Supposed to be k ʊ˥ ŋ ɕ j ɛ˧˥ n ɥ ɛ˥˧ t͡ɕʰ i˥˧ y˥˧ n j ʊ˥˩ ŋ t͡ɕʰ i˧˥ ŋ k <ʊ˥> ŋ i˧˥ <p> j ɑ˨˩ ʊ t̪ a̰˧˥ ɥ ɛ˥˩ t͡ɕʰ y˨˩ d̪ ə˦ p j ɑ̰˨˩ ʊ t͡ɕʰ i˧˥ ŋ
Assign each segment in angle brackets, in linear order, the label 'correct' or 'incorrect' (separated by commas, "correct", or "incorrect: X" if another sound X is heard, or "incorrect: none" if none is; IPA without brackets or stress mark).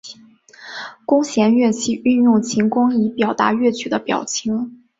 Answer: correct, correct